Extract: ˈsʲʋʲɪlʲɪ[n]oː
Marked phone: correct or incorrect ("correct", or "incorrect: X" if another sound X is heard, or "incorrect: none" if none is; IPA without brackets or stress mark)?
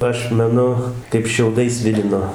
correct